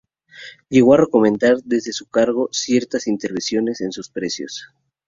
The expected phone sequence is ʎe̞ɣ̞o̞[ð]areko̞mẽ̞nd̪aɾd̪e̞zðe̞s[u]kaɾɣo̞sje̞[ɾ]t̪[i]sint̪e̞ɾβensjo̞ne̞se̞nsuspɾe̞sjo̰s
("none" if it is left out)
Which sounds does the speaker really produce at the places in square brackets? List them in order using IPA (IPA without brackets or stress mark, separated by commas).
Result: none, u, ɾ, a